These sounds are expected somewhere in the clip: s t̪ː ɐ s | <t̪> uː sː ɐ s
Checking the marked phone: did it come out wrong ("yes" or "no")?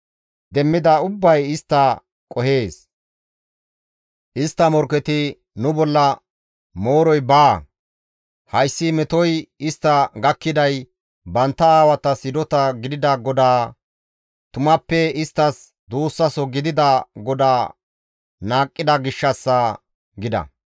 yes